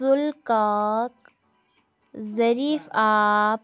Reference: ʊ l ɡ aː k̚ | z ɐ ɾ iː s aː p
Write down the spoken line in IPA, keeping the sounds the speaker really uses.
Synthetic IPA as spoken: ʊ l k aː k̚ | z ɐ ɾ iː f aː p